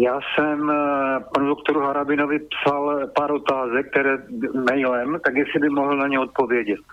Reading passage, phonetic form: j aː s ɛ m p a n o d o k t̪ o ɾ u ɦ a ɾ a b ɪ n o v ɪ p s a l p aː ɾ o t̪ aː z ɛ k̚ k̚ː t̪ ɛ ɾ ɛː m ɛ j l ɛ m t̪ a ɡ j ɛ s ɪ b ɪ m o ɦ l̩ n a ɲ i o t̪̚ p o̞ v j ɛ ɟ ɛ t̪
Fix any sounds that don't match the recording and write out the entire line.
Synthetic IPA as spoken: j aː s ɛ m p a n u d o k t̪ o ɾ u ɦ a ɾ a b ɪ n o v ɪ p s a l p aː ɾ o t̪ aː z ɛ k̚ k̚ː t̪ ɛ ɾ ɛː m ɛ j l ɛ m t̪ a ɡ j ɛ s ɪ b ɪ m o ɦ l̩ n a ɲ ɛ o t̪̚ p o̞ v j ɛ ɟ ɛ t̪